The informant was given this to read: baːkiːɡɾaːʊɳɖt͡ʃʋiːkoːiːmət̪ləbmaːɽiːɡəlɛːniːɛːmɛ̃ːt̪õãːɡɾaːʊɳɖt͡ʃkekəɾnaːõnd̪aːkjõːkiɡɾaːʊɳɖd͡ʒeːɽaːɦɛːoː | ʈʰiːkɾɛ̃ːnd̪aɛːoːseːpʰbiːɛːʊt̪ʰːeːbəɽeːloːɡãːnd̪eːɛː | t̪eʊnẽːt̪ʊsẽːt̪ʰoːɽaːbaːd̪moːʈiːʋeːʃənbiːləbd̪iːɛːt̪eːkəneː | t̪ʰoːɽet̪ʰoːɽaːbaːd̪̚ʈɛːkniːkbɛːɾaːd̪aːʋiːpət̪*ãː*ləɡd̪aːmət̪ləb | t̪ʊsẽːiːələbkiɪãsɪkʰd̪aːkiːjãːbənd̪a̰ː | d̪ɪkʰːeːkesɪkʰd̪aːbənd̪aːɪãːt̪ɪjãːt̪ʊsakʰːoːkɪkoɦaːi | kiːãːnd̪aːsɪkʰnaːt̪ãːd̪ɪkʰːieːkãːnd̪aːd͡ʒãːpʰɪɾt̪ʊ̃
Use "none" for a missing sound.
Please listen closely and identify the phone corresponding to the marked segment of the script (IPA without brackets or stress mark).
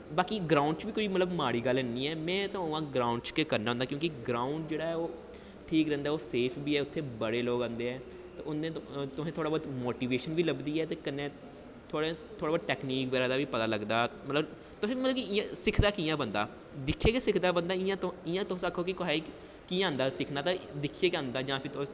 aː